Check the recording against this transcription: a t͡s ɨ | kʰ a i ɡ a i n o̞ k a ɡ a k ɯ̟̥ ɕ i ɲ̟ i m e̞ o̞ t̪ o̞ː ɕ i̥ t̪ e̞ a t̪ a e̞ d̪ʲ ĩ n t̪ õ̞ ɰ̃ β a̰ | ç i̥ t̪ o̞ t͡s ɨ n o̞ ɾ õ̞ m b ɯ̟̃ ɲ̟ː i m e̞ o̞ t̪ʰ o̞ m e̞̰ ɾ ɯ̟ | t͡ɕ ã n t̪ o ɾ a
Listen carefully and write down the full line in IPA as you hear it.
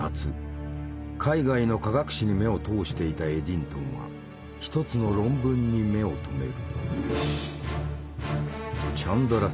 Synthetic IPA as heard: a t͡s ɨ | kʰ a i ɡ a i n o̞ k a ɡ a k ɯ̟̥ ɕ i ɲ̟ i m e̞ o̞ t̪ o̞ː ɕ i̥ t̪ e̞ i t̪ a e̞ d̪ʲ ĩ n t̪ õ̞ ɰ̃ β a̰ | ç i̥ t̪ o̞ t͡s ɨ n o̞ ɾ õ̞ m b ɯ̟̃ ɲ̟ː i m e̞ o̞ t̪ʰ o̞ m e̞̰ ɾ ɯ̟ | t͡ɕ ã n d̪ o ɾ a